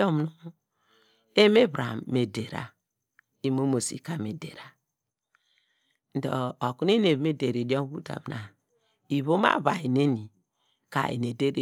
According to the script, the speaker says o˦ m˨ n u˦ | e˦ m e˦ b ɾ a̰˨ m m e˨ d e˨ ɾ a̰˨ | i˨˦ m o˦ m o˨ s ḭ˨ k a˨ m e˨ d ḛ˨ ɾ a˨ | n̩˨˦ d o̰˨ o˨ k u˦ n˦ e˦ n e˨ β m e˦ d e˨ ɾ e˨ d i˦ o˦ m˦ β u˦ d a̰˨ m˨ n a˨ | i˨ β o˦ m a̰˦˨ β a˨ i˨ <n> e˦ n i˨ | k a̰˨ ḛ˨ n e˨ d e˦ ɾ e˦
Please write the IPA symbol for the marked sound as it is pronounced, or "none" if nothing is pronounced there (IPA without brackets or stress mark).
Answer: n